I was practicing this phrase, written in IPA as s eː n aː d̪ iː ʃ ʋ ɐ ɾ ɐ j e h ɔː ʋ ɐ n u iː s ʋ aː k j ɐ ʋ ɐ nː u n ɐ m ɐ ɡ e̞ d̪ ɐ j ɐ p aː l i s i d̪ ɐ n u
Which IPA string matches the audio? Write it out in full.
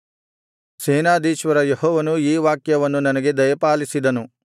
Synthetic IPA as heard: s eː n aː d̪ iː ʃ ʋ ɐ ɾ ɐ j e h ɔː ʋ ɐ n u iː ʋ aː k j ɐ ʋ ɐ nː u n ɐ n ɐ ɡ e̞ d̪ ɐ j ɐ p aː l i s i d̪ ɐ n u